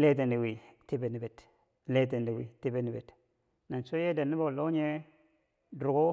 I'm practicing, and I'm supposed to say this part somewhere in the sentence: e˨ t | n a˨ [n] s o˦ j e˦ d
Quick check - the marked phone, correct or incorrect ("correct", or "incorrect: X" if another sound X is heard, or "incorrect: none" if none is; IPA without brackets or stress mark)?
correct